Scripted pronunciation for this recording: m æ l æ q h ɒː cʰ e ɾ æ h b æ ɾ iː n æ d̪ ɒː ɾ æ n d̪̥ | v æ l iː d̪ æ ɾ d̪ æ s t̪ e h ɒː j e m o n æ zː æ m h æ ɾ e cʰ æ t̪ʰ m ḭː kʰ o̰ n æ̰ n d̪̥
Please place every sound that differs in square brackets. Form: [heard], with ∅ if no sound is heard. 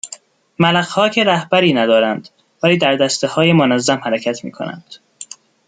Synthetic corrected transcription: m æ l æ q h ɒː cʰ e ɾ æ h b æ ɾ iː n æ d̪ ɒː ɾ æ n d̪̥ | v æ l iː d̪ æ ɾ d̪ æ s t̪ e h ɒː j e m o n æ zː æ m h æ ɾ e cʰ æ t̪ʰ m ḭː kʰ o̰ n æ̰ n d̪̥

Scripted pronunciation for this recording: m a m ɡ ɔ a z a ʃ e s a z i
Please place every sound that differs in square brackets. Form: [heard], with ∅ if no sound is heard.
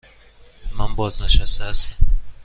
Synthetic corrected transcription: m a m [b] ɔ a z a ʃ [a] s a [s] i

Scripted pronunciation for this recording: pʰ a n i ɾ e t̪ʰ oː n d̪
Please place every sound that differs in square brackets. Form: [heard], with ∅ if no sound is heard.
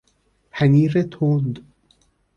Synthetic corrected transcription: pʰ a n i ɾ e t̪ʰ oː n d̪

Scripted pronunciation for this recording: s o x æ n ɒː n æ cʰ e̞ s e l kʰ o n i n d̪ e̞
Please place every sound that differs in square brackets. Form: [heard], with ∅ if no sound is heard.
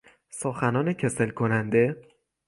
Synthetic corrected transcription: s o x æ n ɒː n [e] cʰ e̞ s e l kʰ o n [æ] n d̪ e̞

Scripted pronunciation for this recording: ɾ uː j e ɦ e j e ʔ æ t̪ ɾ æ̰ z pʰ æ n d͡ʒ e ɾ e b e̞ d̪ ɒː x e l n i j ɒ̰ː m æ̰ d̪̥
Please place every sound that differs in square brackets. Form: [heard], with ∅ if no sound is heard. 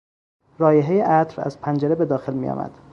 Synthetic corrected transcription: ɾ [ɒː] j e ɦ e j e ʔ æ t̪ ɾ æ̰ z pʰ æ n d͡ʒ e ɾ e b e̞ d̪ ɒː x e l [m] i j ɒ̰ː m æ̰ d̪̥

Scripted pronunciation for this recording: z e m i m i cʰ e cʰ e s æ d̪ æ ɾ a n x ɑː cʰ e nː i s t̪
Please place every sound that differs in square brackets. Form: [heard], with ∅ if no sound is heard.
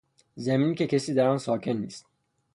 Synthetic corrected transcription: z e m i [n] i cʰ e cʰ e s [i] d̪ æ ɾ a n [s] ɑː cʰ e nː i s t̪

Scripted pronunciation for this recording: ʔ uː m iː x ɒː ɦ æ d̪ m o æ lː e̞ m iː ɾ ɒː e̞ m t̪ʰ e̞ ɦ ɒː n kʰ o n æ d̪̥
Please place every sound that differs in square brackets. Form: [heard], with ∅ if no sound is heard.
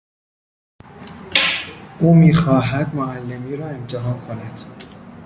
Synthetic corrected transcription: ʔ uː m iː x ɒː ɦ æ d̪ m o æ lː e̞ m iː ɾ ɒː e̞ m t̪ʰ e̞ ɦ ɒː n kʰ o n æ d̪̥

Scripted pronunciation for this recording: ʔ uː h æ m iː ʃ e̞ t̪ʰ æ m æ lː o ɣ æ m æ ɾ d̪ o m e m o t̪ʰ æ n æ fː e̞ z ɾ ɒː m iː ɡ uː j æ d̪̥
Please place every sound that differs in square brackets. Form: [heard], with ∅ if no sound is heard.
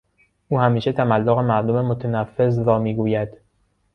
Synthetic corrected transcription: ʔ uː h æ m iː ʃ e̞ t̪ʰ æ m æ lː o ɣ [e] m æ ɾ d̪ o m e m o t̪ʰ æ n æ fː e̞ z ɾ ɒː m iː ɡ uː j æ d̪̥

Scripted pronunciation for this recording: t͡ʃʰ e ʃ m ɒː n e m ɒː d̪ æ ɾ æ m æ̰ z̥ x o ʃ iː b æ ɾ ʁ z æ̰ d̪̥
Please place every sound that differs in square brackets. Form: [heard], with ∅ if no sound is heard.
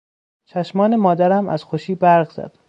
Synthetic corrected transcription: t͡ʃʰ [æ] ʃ m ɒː n e m ɒː d̪ æ ɾ æ m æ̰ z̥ x o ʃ iː b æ ɾ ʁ z æ̰ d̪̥

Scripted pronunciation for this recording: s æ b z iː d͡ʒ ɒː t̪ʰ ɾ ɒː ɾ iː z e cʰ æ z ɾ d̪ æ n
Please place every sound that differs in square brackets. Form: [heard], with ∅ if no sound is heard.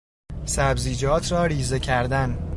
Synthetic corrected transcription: s æ b z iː d͡ʒ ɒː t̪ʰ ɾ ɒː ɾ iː z e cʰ æ [∅] ɾ d̪ æ n

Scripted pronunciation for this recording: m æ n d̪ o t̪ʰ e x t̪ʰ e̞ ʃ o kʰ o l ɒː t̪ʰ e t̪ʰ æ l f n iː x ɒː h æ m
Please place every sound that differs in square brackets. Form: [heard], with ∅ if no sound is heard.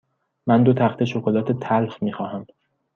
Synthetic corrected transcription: m æ n d̪ o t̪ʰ [æ] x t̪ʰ e̞ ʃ o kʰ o l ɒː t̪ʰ e t̪ʰ æ l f [m] iː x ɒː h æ m

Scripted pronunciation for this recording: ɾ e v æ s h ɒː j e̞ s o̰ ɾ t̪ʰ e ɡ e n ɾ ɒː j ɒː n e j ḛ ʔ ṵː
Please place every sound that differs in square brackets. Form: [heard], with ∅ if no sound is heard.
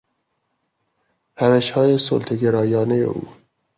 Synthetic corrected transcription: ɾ [æ] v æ [ʃ] h ɒː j e̞ s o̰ [l] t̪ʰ e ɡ e [∅] ɾ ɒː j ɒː n e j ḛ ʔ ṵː

